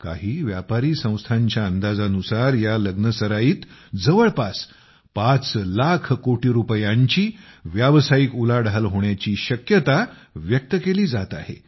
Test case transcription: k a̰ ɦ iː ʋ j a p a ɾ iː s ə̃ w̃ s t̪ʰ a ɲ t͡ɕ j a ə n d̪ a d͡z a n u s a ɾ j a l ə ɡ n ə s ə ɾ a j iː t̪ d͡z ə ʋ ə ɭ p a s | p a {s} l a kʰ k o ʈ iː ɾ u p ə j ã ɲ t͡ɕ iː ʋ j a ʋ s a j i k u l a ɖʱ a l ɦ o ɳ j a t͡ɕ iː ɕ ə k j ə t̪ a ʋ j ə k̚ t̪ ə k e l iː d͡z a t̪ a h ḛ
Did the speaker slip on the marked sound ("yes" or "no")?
yes